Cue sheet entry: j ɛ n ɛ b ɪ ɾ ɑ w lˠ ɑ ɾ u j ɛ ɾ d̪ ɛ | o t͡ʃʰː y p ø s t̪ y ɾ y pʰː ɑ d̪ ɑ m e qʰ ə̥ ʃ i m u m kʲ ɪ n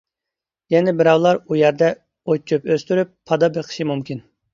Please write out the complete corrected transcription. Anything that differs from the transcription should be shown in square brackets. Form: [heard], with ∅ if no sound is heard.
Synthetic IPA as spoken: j ɛ n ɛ b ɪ ɾ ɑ w lˠ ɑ ɾ u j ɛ ɾ d̪ ɛ | o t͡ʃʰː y p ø s t̪ y ɾ y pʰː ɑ d̪ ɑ [b] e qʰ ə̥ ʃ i m u m kʲ [i] n